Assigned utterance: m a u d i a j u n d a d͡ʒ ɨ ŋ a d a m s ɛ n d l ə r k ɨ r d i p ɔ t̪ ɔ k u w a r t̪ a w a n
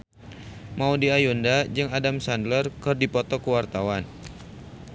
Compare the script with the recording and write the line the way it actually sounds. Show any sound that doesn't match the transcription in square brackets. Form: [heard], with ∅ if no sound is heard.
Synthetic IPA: m a u d i a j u n d a d͡ʒ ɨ ŋ a d a m s [a] n d l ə r k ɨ r d i p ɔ t̪ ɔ k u w a r t̪ a w a n